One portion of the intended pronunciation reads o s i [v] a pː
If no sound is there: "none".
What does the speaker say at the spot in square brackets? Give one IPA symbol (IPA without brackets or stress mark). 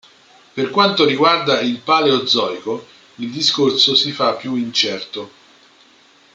f